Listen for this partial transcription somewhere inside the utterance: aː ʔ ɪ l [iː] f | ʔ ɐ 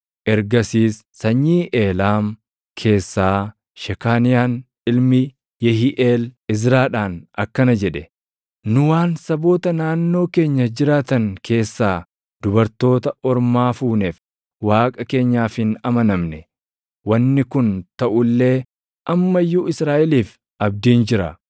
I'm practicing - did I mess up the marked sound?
no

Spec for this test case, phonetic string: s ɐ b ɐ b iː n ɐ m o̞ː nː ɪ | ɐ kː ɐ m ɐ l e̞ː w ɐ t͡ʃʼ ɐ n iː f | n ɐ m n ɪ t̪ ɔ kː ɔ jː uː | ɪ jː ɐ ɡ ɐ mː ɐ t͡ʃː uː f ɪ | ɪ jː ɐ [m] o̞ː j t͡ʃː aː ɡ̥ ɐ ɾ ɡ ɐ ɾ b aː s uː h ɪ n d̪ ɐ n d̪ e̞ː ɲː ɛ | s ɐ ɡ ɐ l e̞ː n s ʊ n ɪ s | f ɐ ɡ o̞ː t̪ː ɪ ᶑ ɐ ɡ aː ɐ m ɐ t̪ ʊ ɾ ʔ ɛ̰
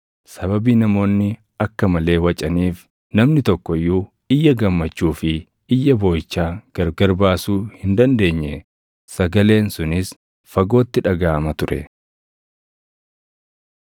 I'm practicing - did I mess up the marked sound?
yes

